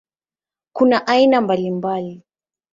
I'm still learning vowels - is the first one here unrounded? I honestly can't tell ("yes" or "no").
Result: no